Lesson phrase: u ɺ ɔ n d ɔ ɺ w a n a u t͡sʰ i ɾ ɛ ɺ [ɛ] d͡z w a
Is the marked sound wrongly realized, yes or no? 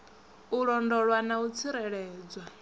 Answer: yes